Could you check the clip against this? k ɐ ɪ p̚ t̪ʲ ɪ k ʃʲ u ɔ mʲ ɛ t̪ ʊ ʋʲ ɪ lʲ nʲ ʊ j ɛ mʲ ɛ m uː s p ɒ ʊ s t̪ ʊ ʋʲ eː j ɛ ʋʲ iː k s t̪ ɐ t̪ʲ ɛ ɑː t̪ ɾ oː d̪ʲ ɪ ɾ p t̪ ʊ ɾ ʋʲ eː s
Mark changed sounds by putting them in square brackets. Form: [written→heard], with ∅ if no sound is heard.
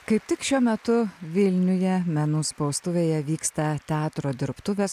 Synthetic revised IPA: k ɐ ɪ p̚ t̪ʲ ɪ k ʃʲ u ɔ mʲ ɛ t̪ ʊ ʋʲ ɪ lʲ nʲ ʊ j ɛ mʲ ɛ [m→n] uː s p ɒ ʊ s t̪ ʊ ʋʲ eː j ɛ ʋʲ iː k s t̪ ɐ t̪ʲ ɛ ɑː t̪ ɾ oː d̪ʲ ɪ ɾ p t̪ ʊ [ɾ→∅] ʋʲ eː s